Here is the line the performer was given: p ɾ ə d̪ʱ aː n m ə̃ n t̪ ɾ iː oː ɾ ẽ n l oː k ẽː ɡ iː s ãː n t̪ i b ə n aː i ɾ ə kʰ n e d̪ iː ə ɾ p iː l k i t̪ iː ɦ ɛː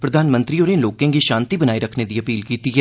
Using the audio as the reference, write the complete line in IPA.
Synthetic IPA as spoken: p ɾ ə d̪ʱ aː n m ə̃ n t̪ ɾ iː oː ɾ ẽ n l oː k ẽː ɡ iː ʃ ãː n t̪ i b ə n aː i ɾ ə kʰ n e d̪ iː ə p iː l k iː t̪ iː ɦ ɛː